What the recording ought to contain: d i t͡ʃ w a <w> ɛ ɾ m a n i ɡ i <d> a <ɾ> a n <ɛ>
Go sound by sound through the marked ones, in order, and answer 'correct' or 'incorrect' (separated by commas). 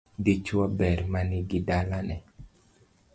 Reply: incorrect, correct, incorrect, correct